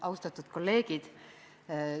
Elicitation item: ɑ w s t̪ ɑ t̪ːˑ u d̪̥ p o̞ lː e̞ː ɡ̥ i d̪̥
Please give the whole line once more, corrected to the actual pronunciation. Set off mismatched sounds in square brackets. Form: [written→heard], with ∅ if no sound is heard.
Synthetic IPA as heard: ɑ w s t̪ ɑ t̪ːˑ u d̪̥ [p→k] o̞ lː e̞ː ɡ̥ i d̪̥